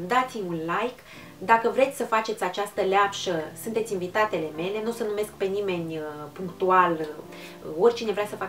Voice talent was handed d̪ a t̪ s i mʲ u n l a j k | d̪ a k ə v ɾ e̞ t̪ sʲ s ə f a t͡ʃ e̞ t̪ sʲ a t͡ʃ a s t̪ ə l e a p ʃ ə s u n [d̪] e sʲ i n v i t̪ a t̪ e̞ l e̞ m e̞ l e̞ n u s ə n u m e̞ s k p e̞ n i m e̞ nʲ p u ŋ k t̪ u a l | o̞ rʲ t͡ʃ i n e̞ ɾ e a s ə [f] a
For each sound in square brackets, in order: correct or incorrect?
incorrect: t̪, correct

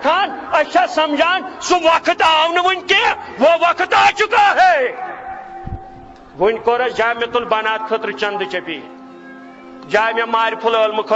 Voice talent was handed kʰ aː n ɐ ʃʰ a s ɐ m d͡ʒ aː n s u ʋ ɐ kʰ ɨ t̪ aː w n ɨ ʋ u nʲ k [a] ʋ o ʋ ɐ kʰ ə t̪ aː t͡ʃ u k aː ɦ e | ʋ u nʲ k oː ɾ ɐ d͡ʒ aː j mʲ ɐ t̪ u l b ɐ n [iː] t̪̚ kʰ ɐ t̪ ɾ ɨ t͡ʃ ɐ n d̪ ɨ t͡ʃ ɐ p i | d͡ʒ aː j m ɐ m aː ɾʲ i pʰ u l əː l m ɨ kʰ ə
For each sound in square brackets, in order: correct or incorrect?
incorrect: e, incorrect: aː

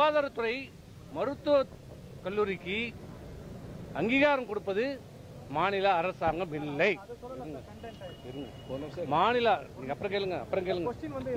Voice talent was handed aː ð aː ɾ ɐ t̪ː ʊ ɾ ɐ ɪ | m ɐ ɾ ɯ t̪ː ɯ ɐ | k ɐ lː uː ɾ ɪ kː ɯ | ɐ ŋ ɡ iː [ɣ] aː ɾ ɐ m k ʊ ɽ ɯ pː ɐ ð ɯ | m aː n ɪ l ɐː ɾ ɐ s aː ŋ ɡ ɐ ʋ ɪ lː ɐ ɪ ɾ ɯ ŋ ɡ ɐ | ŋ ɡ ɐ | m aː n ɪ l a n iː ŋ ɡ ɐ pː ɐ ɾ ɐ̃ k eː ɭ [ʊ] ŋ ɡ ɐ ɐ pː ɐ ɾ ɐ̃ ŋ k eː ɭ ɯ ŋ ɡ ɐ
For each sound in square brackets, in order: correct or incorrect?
correct, incorrect: ɯ

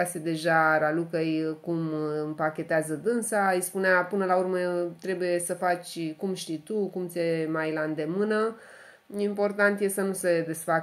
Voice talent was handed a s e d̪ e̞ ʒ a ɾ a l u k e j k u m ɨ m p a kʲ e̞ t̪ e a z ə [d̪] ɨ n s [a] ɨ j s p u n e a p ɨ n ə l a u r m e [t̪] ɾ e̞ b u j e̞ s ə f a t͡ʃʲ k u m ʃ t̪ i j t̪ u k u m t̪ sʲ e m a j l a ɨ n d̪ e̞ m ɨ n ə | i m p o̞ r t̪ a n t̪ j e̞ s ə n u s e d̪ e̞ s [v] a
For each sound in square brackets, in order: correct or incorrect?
correct, correct, correct, incorrect: f

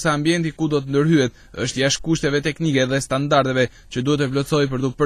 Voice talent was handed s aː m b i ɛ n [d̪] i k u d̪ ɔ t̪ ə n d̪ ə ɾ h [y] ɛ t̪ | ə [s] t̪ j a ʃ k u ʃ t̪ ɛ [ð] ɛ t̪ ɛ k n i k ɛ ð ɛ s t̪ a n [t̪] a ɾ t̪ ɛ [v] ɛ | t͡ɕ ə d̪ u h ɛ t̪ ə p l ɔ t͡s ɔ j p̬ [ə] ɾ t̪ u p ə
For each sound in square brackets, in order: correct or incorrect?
incorrect: t̪, correct, incorrect: ʃ, incorrect: v, incorrect: d̪, correct, correct

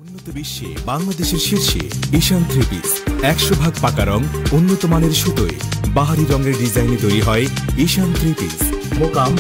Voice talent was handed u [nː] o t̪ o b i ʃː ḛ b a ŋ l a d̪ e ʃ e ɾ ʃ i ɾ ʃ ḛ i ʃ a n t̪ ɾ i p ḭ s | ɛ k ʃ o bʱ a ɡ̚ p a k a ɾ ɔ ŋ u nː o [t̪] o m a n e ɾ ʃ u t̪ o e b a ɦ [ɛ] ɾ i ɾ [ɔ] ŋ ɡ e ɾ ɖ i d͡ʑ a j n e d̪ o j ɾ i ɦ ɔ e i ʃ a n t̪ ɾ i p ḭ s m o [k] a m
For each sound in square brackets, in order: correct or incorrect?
correct, correct, incorrect: a, correct, correct

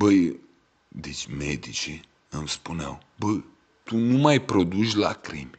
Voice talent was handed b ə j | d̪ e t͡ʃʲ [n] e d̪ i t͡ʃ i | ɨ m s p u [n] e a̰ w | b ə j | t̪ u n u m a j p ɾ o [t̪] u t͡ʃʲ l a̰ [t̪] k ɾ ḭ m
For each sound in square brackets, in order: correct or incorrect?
incorrect: m, correct, incorrect: d̪, incorrect: none

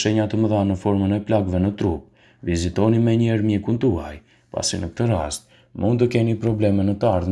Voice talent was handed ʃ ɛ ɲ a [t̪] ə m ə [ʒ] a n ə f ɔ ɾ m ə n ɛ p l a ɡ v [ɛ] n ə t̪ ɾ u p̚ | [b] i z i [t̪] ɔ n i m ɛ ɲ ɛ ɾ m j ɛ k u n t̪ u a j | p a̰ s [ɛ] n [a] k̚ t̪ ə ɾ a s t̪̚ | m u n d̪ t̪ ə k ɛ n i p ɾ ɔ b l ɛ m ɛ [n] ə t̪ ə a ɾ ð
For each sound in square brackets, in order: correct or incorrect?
correct, incorrect: ð, correct, incorrect: v, correct, incorrect: i, incorrect: ə, correct

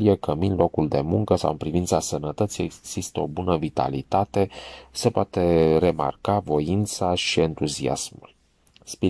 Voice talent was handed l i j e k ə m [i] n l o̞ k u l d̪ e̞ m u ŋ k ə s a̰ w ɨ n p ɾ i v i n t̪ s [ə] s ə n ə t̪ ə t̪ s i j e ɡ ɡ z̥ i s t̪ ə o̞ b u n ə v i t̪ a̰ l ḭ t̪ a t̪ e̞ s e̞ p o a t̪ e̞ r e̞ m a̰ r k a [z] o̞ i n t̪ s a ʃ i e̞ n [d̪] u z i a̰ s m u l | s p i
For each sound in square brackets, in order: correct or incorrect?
correct, incorrect: a, incorrect: v, incorrect: t̪

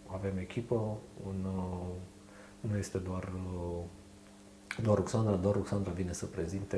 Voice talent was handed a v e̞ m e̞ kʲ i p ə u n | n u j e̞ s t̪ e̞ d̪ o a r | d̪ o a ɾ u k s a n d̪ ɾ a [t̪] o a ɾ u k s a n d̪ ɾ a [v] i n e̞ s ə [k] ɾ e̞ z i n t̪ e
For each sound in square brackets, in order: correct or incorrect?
incorrect: d̪, correct, incorrect: p

